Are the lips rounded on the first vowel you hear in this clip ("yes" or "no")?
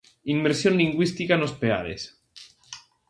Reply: no